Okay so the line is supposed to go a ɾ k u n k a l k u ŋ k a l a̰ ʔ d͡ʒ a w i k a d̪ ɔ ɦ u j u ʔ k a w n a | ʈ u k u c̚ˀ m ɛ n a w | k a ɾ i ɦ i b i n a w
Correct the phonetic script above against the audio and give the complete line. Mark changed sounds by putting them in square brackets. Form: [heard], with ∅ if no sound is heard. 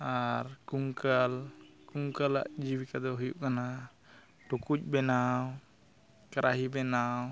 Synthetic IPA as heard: a ɾ k u [ŋ] k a l k u ŋ k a l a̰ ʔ d͡ʒ [i] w i k a d̪ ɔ ɦ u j u ʔ k a [∅] n a | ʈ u k u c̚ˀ [b] ɛ n a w | k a ɾ [a] ɦ i b [ɛ] n a w